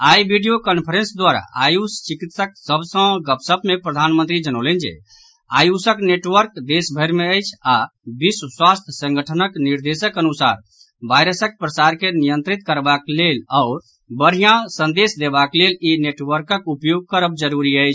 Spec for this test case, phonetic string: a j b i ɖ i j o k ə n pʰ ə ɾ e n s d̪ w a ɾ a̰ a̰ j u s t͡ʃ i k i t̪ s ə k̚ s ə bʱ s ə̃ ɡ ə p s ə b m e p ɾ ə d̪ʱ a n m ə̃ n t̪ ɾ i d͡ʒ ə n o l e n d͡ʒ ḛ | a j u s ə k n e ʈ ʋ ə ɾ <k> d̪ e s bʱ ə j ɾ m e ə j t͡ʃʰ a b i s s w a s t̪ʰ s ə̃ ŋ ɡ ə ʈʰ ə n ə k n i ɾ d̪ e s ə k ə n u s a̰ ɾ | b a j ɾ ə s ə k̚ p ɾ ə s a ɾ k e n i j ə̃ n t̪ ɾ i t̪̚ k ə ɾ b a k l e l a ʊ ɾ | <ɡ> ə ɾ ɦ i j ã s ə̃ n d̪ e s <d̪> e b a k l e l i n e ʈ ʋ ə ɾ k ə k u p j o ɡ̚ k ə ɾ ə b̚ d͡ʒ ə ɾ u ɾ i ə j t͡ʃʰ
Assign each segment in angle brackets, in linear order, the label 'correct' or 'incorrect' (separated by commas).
correct, incorrect, correct